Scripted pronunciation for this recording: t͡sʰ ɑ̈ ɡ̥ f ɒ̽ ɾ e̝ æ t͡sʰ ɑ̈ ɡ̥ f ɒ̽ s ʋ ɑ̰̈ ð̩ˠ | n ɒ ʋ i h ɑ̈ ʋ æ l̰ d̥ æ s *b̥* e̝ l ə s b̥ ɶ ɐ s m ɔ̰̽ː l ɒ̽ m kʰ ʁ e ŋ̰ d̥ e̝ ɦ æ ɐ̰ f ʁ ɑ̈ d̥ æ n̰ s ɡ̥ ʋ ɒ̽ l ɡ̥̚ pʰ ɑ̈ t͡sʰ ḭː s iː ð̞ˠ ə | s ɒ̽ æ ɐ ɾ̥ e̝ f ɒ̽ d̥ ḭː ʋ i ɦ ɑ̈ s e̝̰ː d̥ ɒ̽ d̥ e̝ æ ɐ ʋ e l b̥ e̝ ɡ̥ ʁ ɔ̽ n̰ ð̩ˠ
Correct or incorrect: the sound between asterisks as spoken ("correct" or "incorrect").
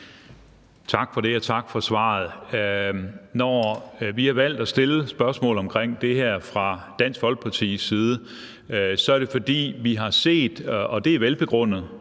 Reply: incorrect